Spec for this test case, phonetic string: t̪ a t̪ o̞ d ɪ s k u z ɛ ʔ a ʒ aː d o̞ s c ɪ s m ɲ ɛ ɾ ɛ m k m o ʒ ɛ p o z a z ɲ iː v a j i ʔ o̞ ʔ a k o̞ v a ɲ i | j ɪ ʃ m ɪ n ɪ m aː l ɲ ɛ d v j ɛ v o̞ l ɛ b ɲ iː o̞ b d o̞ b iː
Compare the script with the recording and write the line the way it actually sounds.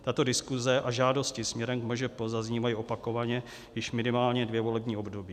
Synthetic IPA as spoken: t̪ a t̪ o̞ d ɪ s k u z ɛ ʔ a ʒ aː d o̞ s c ɪ s m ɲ ɛ ɾ ɛ m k m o ʒ ɛ p o z a z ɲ iː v a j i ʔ o̞ p a k o̞ v a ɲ ɛ | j ɪ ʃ m ɪ n ɪ m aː l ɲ ɛ d v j ɛ v o̞ l ɛ b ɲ iː o̞ b d o̞ b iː